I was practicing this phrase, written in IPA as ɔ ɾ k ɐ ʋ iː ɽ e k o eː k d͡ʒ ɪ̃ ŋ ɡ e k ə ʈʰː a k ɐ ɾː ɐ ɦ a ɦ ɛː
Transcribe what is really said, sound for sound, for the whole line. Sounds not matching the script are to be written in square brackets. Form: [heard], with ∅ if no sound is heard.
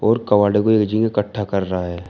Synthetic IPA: [ɔː] ɾ k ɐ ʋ [aː] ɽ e k o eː k d͡ʒ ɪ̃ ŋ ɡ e k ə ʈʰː a k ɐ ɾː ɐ ɦ a ɦ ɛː